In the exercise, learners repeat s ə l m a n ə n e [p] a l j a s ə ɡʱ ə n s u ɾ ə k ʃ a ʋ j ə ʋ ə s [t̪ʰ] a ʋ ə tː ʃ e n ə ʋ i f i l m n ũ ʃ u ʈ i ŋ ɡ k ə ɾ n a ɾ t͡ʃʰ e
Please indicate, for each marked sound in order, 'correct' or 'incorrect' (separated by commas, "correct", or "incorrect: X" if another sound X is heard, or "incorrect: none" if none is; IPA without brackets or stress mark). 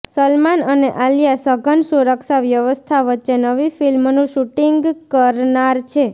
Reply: incorrect: ʔ, correct